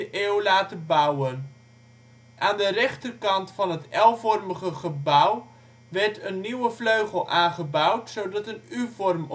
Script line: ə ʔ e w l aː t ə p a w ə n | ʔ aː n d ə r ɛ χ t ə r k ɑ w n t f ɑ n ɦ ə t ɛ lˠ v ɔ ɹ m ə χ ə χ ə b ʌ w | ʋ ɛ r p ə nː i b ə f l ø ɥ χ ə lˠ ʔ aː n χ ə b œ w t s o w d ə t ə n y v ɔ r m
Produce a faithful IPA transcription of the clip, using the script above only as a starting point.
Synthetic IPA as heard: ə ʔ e w l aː t ə b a w ə n | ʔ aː n d ə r ɛ χ t ə r k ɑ n t f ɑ n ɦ ə t ɛ lˠ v ɔ r m ə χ ə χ ə b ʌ w | ʋ ɛ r t ə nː i w ə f l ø ɥ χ ə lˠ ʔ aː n χ ə b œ w t s o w d ɑ t ə n y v ɔ r m